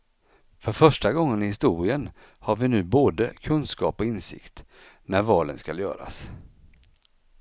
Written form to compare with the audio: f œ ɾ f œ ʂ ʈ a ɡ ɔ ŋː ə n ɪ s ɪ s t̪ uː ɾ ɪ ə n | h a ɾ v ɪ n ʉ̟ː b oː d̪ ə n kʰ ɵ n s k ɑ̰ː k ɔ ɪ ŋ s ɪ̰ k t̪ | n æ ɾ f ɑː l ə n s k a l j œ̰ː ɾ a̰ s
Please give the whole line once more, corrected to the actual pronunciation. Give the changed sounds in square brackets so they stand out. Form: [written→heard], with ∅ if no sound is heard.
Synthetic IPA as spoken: f œ ɾ f œ ʂ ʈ a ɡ ɔ ŋː ə n ɪ [s→h] ɪ s t̪ uː ɾ ɪ ə n | h a ɾ v ɪ n ʉ̟ː b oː d̪ ə [n→∅] kʰ ɵ n s k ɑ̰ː [k→p] ɔ ɪ [ŋ→n] s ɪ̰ k t̪ | n æ ɾ [f→v] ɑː l ə n s k a l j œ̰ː ɾ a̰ s